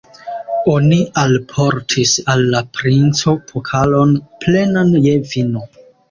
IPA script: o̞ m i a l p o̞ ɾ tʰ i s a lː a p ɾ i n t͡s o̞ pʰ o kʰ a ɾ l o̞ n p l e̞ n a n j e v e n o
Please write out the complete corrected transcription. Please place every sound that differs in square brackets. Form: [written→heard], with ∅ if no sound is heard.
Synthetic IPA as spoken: o̞ [m→n] i a l [p→pʰ] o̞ ɾ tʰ i s a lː a p ɾ i n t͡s o̞ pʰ o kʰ a [ɾ→∅] l o̞ n p l e̞ n a n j e v [e→i] n o